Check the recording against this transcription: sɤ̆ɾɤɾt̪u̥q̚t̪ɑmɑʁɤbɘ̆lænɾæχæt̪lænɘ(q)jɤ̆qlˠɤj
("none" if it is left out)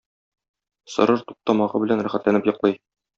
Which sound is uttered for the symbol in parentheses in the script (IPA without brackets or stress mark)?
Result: p